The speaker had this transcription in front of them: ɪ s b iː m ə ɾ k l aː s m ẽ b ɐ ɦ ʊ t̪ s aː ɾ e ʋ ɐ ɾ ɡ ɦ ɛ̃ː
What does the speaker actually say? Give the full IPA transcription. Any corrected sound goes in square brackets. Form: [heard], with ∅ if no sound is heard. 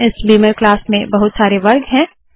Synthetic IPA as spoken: ɪ s b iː m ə ɾ k l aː s m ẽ b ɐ ɦ ʊ t̪ s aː ɾ e ʋ ɐ ɾ ɡ ɦ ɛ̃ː